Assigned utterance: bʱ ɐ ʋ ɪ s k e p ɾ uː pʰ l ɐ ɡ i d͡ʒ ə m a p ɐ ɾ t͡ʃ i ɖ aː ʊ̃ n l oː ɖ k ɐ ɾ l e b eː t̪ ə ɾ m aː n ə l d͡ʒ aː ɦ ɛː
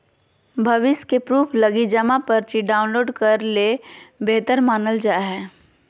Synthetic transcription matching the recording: bʱ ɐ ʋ ɪ s k e p ɾ uː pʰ l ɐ ɡ i d͡ʒ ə m a p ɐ ɾ t͡ʃ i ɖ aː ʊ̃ n l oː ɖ k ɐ ɾ l e b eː t̪ ə ɾ m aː n ə l d͡ʒ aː ɦ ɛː